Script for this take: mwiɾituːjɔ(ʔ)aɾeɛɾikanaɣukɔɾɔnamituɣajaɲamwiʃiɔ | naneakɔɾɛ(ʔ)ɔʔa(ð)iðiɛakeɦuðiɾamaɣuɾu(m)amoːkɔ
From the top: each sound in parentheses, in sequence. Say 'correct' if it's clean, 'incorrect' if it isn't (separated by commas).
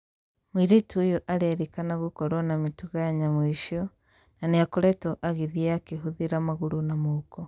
correct, incorrect, incorrect, incorrect